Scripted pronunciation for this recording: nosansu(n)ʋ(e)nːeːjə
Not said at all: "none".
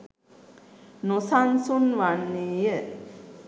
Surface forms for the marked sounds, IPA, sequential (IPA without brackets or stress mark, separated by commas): n, a